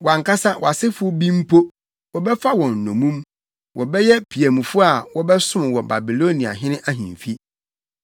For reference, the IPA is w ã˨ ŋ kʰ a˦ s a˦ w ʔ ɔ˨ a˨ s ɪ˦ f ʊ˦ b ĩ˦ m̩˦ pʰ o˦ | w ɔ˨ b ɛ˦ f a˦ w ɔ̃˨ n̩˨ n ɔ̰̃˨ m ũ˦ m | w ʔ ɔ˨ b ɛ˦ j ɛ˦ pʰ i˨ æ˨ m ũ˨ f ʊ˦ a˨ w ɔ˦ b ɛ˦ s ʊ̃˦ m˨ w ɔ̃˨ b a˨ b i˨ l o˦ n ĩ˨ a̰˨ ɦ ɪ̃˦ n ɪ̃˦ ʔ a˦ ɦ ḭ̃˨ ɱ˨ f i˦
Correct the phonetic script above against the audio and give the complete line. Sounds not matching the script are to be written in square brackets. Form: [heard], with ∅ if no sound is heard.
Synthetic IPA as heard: w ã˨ ŋ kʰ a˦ s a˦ w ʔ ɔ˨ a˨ s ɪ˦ f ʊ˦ b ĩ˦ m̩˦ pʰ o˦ | w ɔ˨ b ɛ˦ f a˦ w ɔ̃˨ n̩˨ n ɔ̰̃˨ m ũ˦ m | w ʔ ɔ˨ b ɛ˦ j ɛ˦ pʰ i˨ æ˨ m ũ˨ f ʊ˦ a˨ w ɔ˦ b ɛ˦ s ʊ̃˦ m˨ w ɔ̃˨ b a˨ b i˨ l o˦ n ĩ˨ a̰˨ ɦ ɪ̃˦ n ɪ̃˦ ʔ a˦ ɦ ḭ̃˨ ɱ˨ f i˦